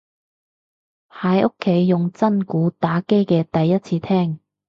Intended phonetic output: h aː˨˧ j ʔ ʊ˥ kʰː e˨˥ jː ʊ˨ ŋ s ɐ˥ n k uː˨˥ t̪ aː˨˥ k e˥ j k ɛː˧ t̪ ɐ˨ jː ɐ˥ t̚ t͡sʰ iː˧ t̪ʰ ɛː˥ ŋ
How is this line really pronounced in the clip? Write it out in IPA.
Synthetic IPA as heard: h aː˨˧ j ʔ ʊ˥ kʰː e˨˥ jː ʊ˨ ŋ t͡s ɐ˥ n k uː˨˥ t̪ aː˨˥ k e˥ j k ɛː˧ t̪ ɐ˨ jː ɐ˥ t̚ t͡sʰ iː˧ t̪ʰ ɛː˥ ŋ